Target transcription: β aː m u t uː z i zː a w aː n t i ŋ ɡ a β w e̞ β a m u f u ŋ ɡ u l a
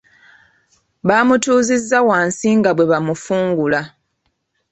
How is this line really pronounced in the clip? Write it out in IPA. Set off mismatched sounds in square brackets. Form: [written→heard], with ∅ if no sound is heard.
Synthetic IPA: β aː m u t uː z i zː a w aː n [t→s] i ŋ ɡ a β w e̞ β a m u f [u→uː] ŋ ɡ u l a